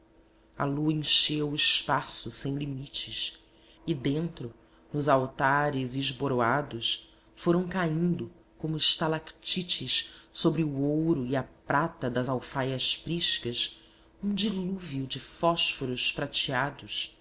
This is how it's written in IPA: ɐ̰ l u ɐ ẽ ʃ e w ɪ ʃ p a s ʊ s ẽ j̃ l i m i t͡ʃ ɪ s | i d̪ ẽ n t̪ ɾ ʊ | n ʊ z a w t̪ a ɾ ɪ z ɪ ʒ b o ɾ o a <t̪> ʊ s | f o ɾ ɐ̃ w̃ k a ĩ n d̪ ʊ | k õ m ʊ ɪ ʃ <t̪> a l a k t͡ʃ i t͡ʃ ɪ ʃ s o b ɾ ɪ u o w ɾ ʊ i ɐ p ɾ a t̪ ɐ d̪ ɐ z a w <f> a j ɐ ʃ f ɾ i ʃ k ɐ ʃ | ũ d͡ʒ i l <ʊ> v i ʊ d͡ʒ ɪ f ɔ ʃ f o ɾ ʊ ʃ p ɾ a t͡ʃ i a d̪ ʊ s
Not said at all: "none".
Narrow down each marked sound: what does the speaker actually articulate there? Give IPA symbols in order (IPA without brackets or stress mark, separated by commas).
d̪, t̪, f, u